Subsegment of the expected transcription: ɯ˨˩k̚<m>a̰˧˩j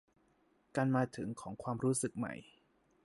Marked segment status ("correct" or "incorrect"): correct